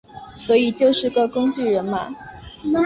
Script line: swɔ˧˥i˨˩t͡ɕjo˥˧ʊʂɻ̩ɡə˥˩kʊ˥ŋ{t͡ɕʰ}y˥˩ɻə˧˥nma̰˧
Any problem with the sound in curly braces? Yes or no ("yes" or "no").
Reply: yes